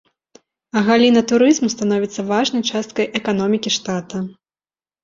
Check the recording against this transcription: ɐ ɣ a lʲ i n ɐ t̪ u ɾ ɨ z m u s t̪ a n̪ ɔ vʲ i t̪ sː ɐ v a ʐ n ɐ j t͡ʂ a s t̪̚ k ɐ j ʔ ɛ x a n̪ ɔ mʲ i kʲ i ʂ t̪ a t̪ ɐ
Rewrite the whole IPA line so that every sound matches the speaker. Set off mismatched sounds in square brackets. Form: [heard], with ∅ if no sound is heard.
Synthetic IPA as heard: ɐ ɣ a lʲ i n ɐ t̪ u ɾ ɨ z m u s t̪ a n̪ ɔ vʲ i t̪ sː ɐ v a ʐ n ɐ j t͡ʂ a s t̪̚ k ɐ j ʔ ɛ [k] a n̪ ɔ mʲ i kʲ i ʂ t̪ a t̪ ɐ